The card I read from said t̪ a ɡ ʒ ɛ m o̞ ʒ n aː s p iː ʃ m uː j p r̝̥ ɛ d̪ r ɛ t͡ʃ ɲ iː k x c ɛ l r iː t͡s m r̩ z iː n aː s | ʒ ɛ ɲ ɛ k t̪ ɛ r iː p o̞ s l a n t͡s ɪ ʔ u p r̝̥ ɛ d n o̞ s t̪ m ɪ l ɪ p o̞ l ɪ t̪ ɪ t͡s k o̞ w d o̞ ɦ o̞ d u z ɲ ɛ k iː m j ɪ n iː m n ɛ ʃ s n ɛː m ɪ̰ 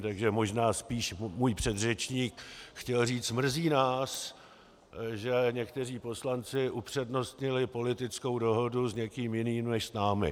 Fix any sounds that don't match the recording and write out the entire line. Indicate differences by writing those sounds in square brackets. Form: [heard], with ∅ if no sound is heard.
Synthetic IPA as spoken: t̪ a ɡ ʒ ɛ m o̞ ʒ n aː s p iː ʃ m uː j p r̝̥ ɛ d̪ r ɛ t͡ʃ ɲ iː k x c ɛ l r iː t͡s m r̩ z iː n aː s | ʒ ɛ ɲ ɛ k t̪ ɛ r iː p o̞ s l a n t͡s ɪ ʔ u p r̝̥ ɛ d n o̞ s t̪ [ɲ] ɪ l ɪ p o̞ l ɪ t̪ ɪ t͡s k o̞ w d o̞ ɦ o̞ d u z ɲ ɛ k iː m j ɪ n iː m n ɛ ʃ s n [aː] m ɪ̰